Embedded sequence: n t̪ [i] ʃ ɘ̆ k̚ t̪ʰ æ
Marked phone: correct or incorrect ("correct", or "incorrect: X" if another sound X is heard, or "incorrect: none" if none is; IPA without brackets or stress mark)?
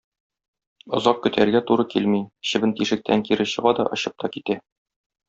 correct